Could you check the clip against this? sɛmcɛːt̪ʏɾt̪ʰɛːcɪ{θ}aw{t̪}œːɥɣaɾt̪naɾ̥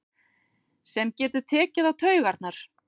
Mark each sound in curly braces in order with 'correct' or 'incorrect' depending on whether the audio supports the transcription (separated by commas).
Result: incorrect, incorrect